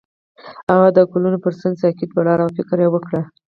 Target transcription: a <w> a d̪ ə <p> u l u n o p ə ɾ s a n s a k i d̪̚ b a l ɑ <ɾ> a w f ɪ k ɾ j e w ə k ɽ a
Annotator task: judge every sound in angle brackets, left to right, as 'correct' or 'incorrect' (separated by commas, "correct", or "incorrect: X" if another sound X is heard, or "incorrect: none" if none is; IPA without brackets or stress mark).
incorrect: ɣ, incorrect: k, correct